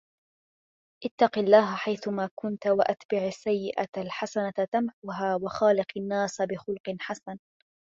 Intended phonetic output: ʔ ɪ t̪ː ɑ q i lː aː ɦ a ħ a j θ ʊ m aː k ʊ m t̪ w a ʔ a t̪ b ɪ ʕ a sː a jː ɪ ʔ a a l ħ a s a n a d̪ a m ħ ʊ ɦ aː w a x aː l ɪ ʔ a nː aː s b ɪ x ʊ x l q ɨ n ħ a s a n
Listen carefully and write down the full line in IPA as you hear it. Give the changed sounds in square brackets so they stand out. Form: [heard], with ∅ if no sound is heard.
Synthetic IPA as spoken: ʔ ɪ t̪ː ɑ q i lː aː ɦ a ħ a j θ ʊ m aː k ʊ [n] t̪ w a ʔ a t̪ b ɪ ʕ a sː a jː ɪ ʔ a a l ħ a s a n a [t̪] a m ħ ʊ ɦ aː w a x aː l ɪ [q] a nː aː s b ɪ x ʊ [∅] l q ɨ n ħ a s a n